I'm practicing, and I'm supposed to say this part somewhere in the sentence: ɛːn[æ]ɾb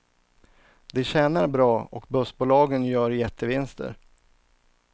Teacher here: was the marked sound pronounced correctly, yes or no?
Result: no